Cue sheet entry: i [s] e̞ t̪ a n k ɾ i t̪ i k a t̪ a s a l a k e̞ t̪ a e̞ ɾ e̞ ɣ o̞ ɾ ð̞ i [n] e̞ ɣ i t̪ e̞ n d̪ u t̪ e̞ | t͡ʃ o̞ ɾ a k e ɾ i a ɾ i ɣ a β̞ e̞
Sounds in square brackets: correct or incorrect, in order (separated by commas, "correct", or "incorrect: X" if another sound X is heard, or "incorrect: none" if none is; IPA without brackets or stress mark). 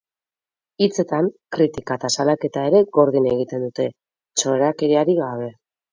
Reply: incorrect: t͡s, correct